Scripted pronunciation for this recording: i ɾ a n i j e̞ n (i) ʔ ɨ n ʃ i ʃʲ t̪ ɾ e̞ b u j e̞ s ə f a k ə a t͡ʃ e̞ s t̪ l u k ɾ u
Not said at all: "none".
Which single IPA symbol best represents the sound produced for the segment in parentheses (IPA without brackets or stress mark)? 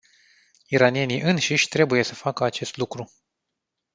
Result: i